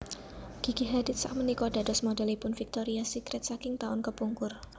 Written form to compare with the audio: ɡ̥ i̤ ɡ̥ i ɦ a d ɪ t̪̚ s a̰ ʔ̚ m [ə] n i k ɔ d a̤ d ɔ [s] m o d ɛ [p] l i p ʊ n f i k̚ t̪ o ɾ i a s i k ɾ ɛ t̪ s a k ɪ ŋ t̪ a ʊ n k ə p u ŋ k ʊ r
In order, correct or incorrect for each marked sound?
correct, correct, incorrect

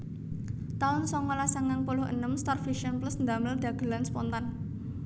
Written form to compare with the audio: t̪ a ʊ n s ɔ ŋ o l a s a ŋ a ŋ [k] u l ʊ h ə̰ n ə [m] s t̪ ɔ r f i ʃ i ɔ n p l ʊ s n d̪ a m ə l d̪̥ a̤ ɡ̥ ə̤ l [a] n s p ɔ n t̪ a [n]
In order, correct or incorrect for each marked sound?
incorrect, correct, correct, correct

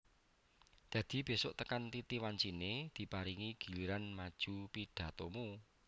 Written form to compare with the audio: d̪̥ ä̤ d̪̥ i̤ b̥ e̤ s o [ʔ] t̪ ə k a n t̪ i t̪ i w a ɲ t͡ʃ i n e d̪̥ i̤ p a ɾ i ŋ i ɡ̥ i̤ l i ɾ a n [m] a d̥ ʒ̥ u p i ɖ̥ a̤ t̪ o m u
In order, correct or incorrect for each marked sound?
correct, correct

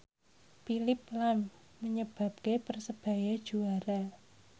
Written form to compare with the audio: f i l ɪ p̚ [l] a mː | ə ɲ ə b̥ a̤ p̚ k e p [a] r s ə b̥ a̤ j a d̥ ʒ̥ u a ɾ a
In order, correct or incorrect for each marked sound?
correct, incorrect

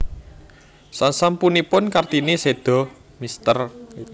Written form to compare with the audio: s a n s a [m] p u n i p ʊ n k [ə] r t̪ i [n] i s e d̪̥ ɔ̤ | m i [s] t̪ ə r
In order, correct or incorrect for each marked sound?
correct, incorrect, correct, correct

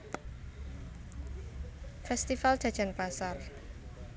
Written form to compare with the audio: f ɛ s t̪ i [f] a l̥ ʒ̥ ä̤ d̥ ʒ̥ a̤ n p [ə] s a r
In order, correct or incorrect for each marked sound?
correct, incorrect

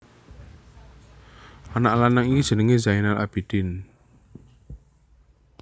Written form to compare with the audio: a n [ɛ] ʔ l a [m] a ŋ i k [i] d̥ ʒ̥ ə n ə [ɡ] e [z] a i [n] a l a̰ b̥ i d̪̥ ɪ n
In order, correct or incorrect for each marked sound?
incorrect, incorrect, correct, incorrect, correct, correct

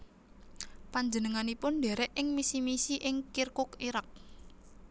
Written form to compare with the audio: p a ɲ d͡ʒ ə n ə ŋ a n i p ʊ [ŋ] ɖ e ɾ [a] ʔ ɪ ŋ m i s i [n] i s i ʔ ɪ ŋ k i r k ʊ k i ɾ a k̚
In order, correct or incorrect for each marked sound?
incorrect, incorrect, incorrect

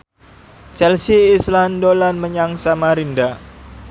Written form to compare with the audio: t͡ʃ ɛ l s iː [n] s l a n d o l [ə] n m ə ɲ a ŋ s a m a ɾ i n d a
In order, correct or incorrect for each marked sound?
incorrect, incorrect

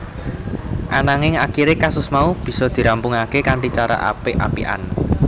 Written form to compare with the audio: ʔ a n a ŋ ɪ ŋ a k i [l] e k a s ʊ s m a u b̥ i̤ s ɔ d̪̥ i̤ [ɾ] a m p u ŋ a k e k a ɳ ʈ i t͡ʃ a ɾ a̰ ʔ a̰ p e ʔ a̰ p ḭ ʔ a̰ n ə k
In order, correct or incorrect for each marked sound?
incorrect, correct

